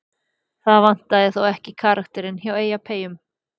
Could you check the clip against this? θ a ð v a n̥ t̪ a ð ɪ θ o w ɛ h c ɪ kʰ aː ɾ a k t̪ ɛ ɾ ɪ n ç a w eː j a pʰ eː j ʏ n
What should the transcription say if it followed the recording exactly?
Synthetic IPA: θ a ð v a n̥ t̪ a ð ɪ θ o w ɛ h c ɪ kʰ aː ɾ a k t̪ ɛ ɾ ɪ n ç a w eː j a pʰ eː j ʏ m

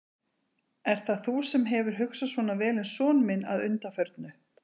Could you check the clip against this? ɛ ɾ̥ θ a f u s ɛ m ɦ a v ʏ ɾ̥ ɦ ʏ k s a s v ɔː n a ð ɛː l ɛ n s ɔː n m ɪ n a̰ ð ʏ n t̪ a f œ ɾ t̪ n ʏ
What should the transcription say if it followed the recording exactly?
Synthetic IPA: ɛ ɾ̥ θ a θ u s ɛ m ɦ ɛ v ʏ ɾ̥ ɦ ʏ k s a s v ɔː n a v ɛː l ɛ n s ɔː n m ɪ n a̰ ð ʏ n t̪ a f œ ɾ t̪ n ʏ

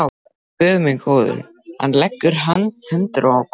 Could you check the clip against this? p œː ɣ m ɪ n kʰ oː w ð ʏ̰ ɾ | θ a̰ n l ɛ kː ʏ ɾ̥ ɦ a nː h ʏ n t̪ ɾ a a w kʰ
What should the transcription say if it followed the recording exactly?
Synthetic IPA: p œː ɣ m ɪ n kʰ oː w ð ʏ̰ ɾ | h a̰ n l ɛ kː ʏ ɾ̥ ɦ a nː h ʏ n t̪ ɾ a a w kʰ

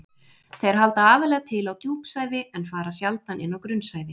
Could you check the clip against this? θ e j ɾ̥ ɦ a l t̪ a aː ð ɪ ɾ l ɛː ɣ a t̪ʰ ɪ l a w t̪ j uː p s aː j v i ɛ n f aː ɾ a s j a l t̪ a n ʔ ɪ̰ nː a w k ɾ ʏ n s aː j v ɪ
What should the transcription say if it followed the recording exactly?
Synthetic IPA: θ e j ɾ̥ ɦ a l t̪ a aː v ɪ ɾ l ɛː ɣ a t̪ʰ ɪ l a w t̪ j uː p s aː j v ɪ ɛ n f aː ɾ a s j a l t̪ a n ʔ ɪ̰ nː a w k ɾ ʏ n s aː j v ɪ

